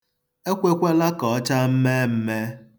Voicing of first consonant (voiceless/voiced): voiceless